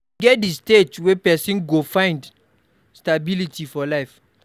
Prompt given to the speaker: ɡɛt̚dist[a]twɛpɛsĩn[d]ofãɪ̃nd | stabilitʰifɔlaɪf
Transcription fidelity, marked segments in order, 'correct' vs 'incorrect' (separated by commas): incorrect, incorrect